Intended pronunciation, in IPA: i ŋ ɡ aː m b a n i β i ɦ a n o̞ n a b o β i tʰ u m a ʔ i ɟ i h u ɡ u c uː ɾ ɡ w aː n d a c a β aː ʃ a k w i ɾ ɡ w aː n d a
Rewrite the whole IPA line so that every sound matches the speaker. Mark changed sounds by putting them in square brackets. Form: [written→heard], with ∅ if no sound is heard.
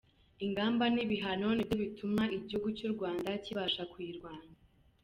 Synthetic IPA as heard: i ŋ ɡ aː m b a n i β i ɦ a n o̞ n [a→i] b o β i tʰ u m a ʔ i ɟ i h u ɡ u c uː ɾ ɡ w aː n d a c [a→i] β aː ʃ a k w i ɾ ɡ w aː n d a

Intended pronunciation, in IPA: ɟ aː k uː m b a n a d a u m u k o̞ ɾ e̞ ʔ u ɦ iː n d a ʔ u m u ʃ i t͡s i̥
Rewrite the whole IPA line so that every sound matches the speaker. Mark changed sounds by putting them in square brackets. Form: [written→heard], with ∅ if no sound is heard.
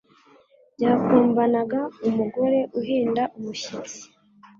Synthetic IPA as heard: ɟ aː k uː m b a n a [d→ɡ] a u m u [k→ɡ] o̞ ɾ e̞ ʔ u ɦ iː n d a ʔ u m u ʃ i t͡s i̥

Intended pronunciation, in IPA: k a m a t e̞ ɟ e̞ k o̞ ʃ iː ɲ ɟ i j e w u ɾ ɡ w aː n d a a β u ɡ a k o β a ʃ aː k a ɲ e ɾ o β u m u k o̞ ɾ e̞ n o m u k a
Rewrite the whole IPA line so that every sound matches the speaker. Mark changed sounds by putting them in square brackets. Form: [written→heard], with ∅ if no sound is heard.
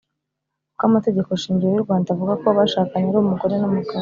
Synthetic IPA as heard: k a m a t e̞ ɟ e̞ k o̞ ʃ iː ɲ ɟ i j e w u ɾ ɡ w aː n d a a [β→v] u ɡ a k o β a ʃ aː k a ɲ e ɾ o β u m u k o̞ ɾ e̞ n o m u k a

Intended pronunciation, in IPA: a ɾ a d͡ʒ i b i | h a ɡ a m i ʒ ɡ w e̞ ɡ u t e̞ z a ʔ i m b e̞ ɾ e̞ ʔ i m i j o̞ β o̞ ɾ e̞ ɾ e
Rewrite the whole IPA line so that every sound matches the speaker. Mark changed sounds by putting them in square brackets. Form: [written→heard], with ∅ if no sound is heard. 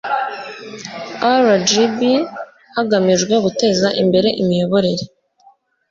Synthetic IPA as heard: a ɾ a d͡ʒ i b i | h a ɡ a m i ʒ ɡ w e̞ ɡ u t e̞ z a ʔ i m b e̞ ɾ e̞ ʔ i m i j o̞ β o̞ ɾ e̞ ɾ e

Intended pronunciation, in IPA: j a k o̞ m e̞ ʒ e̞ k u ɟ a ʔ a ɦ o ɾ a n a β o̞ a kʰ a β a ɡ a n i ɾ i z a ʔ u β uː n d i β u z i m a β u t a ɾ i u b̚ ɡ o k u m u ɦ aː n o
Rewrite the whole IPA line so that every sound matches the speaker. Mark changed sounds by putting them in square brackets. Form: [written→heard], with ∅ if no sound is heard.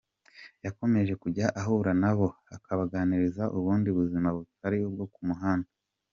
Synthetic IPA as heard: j a k o̞ m e̞ ʒ e̞ k u ɟ a ʔ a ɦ [o→u] ɾ a n a β o̞ a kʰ a β a ɡ a n i ɾ i z a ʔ u β uː n d i β u z i m a β u t a ɾ i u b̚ ɡ o k u m u ɦ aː n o

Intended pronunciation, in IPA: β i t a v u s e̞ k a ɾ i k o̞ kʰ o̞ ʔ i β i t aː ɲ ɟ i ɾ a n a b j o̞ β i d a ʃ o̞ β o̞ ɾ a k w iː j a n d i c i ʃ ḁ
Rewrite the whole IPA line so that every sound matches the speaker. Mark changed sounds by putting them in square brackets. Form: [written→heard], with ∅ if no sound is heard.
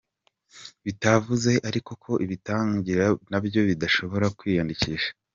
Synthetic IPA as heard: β i t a v u [s→z] e̞ [k→ʔ] a ɾ i k o̞ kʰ o̞ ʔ i β i t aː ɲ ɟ i ɾ a n a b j o̞ β i d a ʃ o̞ β o̞ ɾ a k w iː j a n d i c i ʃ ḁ

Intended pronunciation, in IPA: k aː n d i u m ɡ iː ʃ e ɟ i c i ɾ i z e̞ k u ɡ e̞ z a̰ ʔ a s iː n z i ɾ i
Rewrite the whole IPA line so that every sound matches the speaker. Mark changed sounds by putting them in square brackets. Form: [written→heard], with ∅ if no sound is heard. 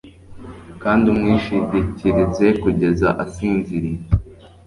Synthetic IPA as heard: k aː n d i u m [ɡ→ŋ] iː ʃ [e→i] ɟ i c i ɾ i z e̞ k u [ɡ→ɟ] e̞ z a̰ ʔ a s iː n z i ɾ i

